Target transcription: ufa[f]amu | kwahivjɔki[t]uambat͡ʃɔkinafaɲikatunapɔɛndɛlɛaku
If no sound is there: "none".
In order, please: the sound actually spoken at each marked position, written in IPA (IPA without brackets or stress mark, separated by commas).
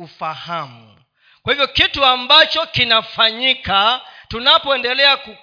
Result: h, t